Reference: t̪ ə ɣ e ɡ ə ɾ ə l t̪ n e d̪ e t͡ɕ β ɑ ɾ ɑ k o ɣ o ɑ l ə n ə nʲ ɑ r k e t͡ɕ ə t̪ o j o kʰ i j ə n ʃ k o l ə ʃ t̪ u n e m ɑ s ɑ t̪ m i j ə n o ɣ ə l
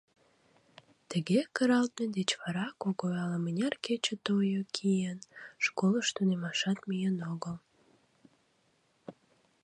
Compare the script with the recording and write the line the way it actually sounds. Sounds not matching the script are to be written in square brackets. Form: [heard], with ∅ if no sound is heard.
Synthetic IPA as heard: t̪ ə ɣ e [k] ə ɾ [ɑ] l t̪ n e d̪ e t͡ɕ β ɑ ɾ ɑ k o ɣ o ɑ l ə [m] ə nʲ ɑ r k e t͡ɕ ə t̪ o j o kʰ i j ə n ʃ k o l ə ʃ t̪ u n e m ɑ [ʃ] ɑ t̪ m i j ə n o ɣ ə l